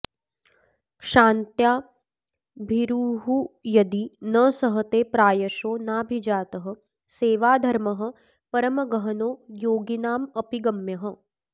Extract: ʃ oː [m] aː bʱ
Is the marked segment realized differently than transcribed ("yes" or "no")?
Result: yes